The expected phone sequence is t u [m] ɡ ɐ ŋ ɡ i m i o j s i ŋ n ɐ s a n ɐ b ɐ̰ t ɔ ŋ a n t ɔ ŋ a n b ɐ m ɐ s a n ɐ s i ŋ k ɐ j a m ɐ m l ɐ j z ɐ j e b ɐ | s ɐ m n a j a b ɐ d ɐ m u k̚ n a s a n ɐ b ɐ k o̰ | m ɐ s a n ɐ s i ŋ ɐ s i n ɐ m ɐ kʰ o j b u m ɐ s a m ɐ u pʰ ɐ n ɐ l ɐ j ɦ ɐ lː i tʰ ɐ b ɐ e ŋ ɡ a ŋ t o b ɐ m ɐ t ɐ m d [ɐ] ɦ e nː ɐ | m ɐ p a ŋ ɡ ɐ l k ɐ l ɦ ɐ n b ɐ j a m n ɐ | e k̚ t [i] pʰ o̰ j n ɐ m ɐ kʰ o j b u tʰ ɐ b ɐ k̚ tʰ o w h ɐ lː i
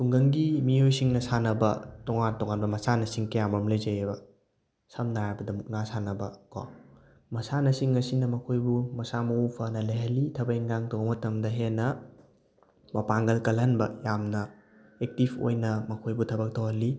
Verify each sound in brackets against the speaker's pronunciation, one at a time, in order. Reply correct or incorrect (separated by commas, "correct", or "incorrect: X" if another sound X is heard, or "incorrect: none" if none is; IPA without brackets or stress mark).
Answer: incorrect: ŋ, correct, correct